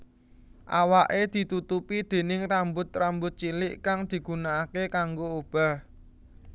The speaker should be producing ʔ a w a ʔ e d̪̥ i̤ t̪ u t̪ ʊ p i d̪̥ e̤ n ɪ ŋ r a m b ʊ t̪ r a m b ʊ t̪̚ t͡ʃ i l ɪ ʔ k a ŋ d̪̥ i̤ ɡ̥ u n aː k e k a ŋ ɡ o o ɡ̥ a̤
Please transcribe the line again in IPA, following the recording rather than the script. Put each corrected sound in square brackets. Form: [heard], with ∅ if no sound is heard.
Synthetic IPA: ʔ a w a ʔ e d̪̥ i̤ t̪ u t̪ [u] p i d̪̥ e̤ n ɪ ŋ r a m b ʊ t̪ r a m b ʊ t̪̚ t͡ʃ i l ɪ ʔ k a ŋ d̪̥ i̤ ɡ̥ u n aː k e k a ŋ ɡ o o [b̥] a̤

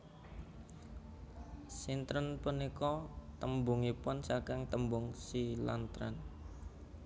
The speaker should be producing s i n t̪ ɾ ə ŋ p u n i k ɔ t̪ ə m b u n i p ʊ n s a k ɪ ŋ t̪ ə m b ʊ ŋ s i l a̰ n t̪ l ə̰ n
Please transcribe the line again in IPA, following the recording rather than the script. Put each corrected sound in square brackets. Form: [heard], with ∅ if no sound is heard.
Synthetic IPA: s i n t̪ ɾ ə [n] p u n i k ɔ t̪ ə m b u [ŋ] i p ʊ n s a k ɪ ŋ t̪ ə m b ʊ ŋ s i l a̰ n t̪ [ɾ] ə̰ n

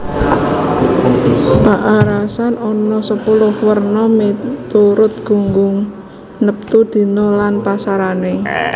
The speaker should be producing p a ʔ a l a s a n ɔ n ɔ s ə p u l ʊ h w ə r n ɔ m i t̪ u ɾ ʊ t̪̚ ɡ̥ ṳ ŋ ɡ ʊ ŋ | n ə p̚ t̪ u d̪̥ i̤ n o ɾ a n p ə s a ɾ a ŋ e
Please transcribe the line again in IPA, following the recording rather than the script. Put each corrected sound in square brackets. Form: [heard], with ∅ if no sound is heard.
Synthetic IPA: p a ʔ a [ɾ] a s a n ɔ n ɔ s ə p u l ʊ h w ə r n ɔ m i t̪ u ɾ ʊ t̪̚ ɡ̥ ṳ ŋ ɡ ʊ ŋ | n ə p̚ t̪ u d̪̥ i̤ n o [l] a n p [a] s a ɾ a [n] e

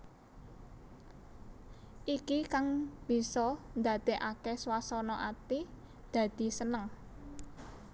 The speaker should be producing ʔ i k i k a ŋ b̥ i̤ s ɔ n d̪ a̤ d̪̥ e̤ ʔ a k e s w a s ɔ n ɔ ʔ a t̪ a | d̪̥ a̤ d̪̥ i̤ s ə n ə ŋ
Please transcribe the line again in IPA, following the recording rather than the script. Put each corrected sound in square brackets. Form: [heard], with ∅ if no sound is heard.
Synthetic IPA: ʔ i k i k a ŋ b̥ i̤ s ɔ n d̪ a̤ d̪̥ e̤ ʔ a k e s w a s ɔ n ɔ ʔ a t̪ [i] | d̪̥ a̤ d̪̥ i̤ s ə n ə ŋ

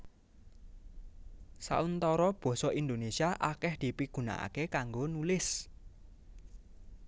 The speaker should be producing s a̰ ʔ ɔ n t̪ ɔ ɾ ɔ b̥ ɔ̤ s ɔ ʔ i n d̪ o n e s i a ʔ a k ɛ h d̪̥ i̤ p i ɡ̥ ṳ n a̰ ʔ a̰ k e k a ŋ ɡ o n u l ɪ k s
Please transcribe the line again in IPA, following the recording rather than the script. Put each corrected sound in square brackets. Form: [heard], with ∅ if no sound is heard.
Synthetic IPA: s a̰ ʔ [u] n t̪ ɔ ɾ ɔ b̥ ɔ̤ s ɔ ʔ i n d̪ o n e s i a ʔ a k ɛ h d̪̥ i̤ p i ɡ̥ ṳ n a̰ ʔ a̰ k e k a ŋ ɡ o n u l ɪ [∅] s

